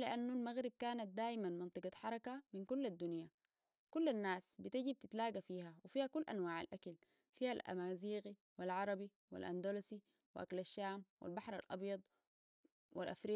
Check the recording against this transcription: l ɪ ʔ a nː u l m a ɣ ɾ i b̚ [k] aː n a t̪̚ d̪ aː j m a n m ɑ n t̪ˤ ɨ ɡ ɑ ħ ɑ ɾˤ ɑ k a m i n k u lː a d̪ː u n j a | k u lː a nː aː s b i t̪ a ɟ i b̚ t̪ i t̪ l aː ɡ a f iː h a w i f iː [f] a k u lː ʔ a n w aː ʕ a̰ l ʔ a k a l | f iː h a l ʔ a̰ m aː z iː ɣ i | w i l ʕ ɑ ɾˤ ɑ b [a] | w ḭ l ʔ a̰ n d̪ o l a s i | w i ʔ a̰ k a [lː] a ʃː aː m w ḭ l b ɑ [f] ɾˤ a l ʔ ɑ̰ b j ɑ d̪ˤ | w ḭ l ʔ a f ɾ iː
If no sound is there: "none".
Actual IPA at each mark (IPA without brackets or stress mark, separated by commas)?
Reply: k, h, i, l, ħ